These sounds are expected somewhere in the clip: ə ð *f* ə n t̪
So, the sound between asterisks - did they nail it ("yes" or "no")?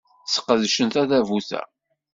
no